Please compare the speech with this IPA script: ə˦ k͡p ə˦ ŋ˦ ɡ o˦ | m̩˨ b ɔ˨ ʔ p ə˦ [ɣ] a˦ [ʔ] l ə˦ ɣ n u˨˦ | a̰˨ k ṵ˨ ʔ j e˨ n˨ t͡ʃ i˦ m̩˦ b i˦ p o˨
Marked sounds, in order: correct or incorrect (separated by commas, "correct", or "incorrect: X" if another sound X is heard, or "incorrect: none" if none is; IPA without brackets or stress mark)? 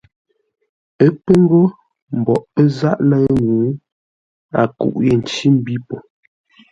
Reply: incorrect: z, correct